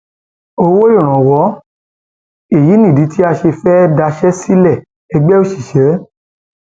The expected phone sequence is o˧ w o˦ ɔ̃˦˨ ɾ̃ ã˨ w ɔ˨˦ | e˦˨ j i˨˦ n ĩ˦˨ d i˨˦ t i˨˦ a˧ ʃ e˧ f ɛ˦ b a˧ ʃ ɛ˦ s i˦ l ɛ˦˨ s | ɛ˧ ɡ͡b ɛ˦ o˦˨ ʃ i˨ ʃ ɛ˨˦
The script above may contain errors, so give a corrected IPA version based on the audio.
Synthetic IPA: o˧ w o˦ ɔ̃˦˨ ɾ̃ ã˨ w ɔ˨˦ | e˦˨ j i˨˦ n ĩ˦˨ d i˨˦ t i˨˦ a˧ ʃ e˧ f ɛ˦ d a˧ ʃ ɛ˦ s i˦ l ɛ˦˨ | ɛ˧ ɡ͡b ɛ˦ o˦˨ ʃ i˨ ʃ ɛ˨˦